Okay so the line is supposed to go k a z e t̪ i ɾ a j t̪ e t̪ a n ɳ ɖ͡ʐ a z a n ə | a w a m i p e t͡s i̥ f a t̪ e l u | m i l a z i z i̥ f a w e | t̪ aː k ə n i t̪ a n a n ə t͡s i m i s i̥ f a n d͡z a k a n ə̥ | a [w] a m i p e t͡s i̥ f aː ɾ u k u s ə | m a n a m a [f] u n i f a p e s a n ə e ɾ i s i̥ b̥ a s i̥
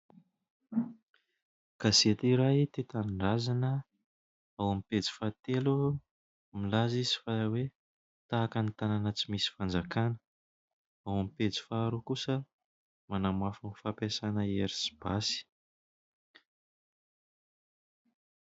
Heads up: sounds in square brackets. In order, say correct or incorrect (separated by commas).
correct, correct